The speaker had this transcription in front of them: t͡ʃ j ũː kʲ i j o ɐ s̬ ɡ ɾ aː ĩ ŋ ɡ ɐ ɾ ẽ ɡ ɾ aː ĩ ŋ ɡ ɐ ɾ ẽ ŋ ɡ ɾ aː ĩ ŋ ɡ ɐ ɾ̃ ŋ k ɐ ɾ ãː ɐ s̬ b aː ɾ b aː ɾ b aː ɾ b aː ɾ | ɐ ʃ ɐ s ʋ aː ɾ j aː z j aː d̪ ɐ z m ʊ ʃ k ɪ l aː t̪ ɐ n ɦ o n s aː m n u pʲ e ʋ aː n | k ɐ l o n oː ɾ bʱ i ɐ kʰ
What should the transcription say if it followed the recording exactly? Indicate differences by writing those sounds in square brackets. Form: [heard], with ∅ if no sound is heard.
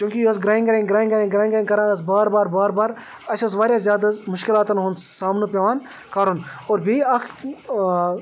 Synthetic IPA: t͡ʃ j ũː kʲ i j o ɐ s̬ ɡ ɾ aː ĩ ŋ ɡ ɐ ɾ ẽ ɡ ɾ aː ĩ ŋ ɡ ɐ ɾ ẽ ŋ ɡ ɾ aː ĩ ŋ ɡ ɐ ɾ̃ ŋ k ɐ ɾ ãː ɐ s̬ b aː ɾ b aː ɾ b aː ɾ b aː ɾ | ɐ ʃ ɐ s ʋ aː ɾ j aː z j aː d̪ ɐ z m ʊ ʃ k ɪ l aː t̪ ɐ n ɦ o n s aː m n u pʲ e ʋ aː n | k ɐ [ɾ] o n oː ɾ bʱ i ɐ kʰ